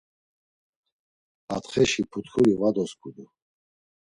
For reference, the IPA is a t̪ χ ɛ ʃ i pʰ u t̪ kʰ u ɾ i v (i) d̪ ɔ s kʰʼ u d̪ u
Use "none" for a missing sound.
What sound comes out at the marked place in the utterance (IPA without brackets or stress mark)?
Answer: a